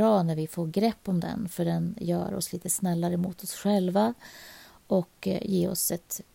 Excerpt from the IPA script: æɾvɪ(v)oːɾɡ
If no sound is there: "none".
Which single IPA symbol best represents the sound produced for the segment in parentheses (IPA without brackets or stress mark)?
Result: f